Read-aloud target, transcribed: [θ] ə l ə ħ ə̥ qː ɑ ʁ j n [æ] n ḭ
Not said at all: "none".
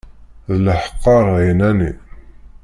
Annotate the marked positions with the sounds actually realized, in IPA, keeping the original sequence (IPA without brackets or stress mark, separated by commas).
ð, æ